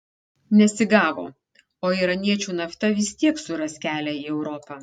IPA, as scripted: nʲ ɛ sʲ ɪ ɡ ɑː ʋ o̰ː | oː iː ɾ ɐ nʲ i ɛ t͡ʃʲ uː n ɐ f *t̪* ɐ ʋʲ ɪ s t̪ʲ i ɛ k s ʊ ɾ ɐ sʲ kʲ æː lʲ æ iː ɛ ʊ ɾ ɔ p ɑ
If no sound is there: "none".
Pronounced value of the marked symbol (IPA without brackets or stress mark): t̪